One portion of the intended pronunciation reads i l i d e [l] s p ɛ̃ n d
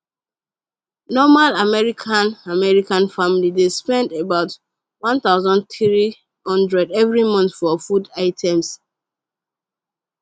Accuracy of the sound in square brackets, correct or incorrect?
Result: incorrect